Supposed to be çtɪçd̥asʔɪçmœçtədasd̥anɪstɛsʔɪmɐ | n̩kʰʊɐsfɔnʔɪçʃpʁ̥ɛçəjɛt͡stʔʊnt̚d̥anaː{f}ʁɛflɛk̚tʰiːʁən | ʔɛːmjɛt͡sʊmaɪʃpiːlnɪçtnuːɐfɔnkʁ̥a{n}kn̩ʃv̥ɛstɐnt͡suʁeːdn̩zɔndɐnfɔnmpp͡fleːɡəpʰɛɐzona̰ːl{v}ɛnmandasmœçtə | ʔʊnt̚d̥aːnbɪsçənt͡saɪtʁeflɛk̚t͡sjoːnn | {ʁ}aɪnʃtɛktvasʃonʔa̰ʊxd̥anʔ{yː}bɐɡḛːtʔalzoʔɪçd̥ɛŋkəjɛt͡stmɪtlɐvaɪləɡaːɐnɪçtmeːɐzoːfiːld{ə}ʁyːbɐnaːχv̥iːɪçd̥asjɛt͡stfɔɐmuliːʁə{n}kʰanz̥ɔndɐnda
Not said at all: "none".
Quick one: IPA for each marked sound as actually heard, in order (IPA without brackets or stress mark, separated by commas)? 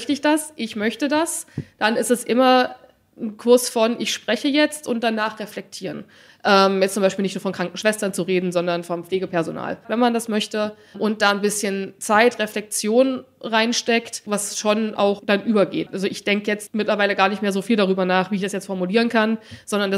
χ, ŋ, v, ʁ, yː, a, n